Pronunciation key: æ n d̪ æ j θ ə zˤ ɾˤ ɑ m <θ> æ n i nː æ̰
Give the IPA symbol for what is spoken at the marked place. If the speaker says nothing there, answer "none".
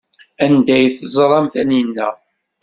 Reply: θ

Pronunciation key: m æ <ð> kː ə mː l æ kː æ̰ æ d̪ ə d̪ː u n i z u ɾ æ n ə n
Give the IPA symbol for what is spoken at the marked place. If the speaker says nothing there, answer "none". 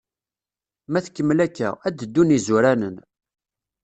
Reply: θ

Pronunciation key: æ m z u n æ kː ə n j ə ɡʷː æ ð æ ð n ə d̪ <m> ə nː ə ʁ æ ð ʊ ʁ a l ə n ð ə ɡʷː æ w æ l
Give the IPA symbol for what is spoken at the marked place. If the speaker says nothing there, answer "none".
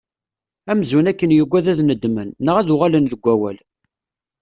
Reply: m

